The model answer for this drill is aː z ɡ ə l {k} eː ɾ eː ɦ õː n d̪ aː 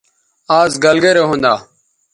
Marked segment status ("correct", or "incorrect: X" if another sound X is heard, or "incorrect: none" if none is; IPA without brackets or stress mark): incorrect: ɡ